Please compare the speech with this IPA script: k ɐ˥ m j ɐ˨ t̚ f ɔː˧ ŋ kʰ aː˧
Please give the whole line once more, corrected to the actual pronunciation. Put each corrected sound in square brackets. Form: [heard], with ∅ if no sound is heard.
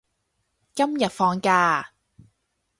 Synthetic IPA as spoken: k ɐ˥ m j ɐ˨ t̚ f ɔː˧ ŋ [k] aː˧